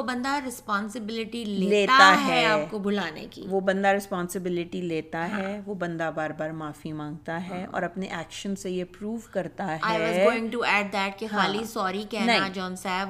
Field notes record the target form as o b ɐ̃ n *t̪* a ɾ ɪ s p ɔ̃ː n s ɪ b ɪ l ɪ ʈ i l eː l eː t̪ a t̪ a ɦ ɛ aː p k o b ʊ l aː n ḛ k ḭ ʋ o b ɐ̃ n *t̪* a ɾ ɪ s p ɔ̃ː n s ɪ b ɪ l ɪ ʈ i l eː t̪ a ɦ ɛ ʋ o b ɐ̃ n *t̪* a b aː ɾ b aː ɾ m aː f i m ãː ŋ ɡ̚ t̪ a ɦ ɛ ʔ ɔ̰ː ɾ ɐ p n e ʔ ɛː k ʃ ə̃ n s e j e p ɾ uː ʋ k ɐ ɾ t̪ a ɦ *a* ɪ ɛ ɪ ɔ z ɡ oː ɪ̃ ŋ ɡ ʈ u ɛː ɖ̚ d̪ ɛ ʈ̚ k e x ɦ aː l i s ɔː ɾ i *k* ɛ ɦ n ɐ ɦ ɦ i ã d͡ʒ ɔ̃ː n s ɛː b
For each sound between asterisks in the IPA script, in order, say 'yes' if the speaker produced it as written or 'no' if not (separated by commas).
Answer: no, no, no, yes, yes